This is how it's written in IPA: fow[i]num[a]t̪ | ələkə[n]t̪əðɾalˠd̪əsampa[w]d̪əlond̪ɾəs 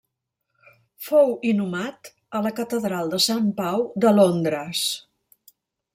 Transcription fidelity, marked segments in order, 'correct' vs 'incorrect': correct, correct, incorrect, correct

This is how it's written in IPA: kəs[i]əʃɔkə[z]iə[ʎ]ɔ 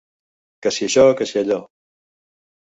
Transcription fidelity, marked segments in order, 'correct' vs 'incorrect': correct, incorrect, correct

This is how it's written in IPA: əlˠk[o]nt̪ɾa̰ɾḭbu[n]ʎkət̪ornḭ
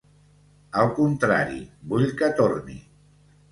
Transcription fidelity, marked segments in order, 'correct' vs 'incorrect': incorrect, incorrect

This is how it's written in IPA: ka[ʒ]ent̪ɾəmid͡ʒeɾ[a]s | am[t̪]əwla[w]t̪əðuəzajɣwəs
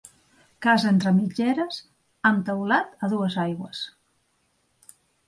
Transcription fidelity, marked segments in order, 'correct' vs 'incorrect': incorrect, incorrect, correct, incorrect

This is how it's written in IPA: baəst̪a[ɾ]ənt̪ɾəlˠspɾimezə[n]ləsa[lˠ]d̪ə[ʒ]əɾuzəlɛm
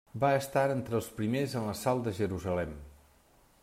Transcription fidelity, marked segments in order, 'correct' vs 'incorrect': correct, correct, correct, correct

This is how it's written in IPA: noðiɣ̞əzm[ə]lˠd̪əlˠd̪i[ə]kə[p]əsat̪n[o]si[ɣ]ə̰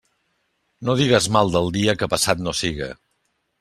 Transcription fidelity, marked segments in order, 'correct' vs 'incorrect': incorrect, correct, correct, correct, correct

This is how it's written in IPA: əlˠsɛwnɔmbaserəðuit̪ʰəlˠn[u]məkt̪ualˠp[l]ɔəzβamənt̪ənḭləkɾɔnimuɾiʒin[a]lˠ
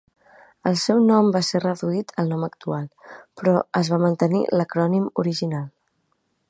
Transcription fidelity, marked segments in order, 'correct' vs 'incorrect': incorrect, incorrect, correct

